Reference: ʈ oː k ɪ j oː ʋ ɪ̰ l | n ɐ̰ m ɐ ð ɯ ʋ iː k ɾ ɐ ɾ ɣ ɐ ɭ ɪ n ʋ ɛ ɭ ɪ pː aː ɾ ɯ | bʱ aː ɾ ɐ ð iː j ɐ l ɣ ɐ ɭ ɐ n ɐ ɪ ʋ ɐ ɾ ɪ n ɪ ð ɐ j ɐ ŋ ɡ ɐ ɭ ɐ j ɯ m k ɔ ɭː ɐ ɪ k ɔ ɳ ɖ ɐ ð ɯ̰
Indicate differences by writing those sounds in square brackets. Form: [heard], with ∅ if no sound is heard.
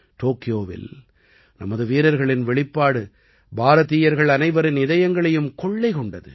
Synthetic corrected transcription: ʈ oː k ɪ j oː ʋ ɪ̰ l | n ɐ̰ m ɐ ð ɯ ʋ iː [∅] ɾ ɐ ɾ ɣ ɐ ɭ ɪ n ʋ ɛ ɭ ɪ pː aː [ɽ] ɯ | bʱ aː ɾ ɐ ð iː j ɐ [ɾ] ɣ ɐ ɭ ɐ n ɐ ɪ ʋ ɐ ɾ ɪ n ɪ ð ɐ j ɐ ŋ ɡ ɐ ɭ ɐ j ɯ m k ɔ ɭː ɐ ɪ k ɔ ɳ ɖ ɐ ð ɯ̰